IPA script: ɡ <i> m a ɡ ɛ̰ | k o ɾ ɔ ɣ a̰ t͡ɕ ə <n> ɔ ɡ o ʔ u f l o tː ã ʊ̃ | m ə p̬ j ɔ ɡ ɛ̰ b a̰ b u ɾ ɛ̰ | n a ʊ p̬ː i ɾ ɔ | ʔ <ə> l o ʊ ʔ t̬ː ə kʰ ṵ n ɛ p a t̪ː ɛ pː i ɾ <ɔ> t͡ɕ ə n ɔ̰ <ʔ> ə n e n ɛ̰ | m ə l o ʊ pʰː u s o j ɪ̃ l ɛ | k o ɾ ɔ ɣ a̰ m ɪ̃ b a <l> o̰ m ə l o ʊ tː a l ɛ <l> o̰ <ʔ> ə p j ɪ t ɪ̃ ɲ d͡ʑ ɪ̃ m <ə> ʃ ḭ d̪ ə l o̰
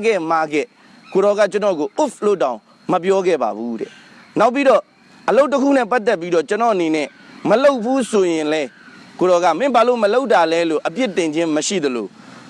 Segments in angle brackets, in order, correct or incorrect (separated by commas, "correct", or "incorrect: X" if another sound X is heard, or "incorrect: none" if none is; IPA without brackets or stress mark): incorrect: ɛ, correct, correct, correct, correct, correct, correct, correct, correct